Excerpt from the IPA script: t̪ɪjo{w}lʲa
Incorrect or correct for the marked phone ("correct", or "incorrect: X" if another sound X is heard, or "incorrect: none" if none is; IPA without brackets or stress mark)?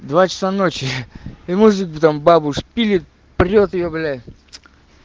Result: incorrect: b